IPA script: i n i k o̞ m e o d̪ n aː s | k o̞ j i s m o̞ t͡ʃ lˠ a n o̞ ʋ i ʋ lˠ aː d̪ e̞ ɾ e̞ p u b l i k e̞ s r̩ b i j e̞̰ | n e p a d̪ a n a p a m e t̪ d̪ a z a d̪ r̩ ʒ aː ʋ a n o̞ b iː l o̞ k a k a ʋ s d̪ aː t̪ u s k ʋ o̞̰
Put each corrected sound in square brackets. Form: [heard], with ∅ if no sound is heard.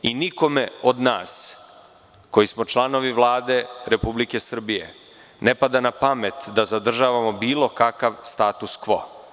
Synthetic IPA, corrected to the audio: i n i k o̞ m e o d̪ n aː s | k o̞ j i s m o̞ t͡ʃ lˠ a n o̞ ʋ i ʋ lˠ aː d̪ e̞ ɾ e̞ p u b l i k e̞ s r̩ b i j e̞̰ | n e p a d̪ a n a p a m e t̪ d̪ a z a d̪ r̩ ʒ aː ʋ a [m] o̞ b iː l o̞ k a k a ʋ s [t̪] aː t̪ u s k ʋ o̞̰